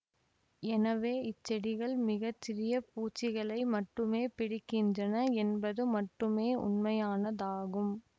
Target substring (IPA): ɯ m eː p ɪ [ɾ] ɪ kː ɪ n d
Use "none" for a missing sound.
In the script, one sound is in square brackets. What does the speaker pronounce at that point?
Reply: ɽ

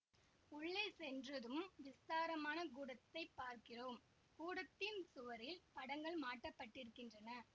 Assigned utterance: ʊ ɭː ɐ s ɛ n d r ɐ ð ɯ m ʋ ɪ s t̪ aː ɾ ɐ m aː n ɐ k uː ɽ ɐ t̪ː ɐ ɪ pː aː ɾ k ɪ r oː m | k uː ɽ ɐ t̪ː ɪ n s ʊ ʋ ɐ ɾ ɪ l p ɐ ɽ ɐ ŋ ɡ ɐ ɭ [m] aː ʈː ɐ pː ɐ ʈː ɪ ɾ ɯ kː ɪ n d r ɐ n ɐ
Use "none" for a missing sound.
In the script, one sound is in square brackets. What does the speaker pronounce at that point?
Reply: m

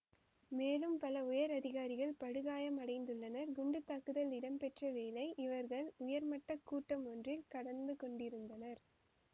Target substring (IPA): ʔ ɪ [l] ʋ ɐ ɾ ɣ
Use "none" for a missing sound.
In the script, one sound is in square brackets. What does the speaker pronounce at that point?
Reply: none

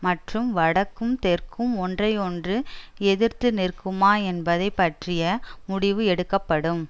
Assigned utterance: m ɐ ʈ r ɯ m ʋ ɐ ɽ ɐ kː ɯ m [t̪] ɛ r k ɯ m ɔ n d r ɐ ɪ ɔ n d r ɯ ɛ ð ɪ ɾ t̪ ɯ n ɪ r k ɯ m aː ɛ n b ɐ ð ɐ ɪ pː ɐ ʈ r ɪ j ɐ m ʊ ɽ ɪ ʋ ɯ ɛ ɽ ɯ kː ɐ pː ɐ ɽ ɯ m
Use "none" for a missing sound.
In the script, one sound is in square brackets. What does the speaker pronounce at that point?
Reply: t̪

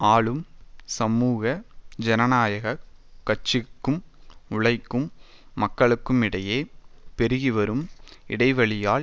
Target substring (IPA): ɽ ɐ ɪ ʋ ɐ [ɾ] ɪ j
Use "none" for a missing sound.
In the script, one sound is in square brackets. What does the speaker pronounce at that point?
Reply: ɭ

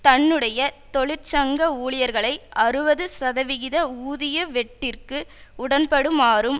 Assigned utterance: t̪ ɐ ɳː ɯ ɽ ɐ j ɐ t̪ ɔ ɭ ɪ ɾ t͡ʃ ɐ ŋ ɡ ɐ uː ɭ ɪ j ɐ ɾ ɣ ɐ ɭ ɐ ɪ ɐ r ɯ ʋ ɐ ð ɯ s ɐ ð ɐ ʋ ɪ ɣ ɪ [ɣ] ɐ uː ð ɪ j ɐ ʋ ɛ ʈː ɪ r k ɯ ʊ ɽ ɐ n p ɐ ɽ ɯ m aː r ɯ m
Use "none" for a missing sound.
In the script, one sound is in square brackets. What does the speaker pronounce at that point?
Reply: ð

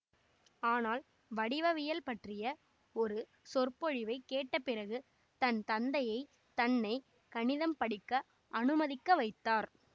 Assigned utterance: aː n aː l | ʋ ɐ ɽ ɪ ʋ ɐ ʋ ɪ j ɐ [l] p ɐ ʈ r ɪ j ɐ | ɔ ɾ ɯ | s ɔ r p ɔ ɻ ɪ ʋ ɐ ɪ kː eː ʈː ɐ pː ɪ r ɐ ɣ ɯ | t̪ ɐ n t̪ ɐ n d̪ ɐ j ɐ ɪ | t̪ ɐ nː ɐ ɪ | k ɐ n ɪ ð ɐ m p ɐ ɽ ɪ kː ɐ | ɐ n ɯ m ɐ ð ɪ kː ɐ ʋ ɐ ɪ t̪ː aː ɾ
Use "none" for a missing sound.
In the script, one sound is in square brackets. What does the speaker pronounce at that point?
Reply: l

